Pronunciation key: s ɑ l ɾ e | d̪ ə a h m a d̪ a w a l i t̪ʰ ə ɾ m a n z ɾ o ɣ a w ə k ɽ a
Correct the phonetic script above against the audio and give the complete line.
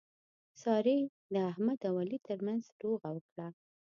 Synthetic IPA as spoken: s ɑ ɾ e | d̪ ə a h m a d̪ a w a l i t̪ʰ ə ɾ m a n z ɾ o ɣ a w ə k ɽ a